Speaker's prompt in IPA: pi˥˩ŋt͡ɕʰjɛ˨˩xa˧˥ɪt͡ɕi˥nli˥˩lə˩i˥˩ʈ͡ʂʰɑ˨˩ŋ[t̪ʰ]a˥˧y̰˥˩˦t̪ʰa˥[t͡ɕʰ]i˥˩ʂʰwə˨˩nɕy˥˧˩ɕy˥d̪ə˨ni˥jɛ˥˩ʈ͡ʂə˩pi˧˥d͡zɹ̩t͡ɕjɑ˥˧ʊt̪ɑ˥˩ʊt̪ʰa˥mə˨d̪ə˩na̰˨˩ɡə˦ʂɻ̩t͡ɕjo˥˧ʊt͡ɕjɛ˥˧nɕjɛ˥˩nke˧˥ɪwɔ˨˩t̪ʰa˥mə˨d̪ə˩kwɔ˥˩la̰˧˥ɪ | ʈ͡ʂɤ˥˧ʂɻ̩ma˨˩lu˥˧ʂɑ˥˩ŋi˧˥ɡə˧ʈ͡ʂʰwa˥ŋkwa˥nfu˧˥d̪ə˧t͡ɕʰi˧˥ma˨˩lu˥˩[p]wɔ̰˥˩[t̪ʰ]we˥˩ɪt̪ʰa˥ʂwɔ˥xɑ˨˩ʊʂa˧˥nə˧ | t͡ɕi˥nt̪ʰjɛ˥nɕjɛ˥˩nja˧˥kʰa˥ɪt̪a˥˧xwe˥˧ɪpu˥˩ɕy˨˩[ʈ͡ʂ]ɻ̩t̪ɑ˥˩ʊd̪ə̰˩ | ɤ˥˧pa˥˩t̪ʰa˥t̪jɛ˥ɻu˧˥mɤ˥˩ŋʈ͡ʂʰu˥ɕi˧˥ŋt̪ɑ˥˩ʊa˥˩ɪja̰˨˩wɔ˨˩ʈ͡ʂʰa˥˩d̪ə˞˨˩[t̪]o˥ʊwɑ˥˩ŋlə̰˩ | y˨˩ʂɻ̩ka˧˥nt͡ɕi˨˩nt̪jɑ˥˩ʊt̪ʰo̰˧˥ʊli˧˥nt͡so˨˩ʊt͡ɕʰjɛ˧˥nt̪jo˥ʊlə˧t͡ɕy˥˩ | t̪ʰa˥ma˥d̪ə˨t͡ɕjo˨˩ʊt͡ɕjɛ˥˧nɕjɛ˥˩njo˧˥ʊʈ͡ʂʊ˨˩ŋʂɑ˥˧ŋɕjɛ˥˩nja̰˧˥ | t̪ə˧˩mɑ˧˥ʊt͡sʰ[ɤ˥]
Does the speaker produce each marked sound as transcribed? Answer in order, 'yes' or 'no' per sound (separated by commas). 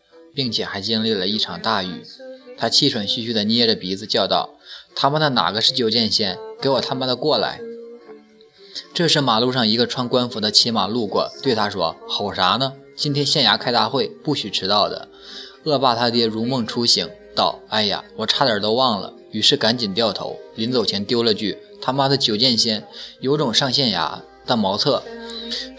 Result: no, yes, no, no, no, yes, no